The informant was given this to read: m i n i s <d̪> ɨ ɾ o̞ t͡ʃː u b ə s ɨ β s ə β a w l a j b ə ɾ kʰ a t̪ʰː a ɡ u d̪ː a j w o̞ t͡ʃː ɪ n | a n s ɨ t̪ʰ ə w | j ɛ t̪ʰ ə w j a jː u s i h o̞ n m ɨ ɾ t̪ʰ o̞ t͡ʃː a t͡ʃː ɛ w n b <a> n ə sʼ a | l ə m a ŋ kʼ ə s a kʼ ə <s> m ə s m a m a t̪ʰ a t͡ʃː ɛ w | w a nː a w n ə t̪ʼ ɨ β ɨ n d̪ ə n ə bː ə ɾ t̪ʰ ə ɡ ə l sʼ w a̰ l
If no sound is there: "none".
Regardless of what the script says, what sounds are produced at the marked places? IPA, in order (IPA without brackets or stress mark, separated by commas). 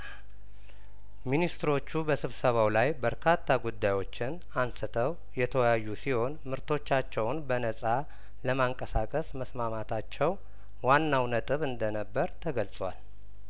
t̪, ə, s